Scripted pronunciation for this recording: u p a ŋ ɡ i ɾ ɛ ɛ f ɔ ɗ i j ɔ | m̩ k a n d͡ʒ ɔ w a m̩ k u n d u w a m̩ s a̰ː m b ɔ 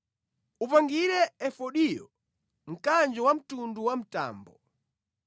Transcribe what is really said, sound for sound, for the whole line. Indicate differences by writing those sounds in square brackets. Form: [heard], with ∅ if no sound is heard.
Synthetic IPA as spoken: u p a ŋ ɡ i ɾ ɛ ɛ f ɔ ɗ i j ɔ | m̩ k a n d͡ʒ ɔ w a m̩ [t] u n d u w a m̩ [t] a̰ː m b ɔ